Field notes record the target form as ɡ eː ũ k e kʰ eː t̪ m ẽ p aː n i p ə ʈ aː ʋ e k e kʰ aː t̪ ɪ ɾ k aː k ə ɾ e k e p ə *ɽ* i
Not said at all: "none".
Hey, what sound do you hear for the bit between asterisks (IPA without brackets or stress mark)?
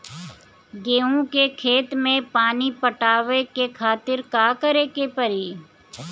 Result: ɾ